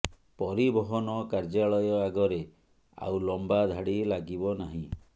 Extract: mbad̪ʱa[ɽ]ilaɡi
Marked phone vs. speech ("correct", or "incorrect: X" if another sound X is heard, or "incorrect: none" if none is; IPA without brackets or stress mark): correct